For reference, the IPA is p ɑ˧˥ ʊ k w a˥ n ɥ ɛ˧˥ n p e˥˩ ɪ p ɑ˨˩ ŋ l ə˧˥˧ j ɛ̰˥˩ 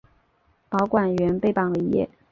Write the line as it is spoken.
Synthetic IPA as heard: p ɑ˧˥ ʊ k w a˨˩ n ɥ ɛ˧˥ n p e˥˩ ɪ p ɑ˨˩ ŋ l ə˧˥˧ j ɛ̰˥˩